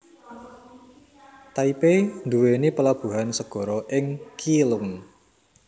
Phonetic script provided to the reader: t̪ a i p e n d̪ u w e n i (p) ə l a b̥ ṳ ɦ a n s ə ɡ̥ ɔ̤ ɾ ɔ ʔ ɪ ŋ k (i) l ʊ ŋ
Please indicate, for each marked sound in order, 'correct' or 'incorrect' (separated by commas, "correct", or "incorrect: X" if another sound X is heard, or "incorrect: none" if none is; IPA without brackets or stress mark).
correct, correct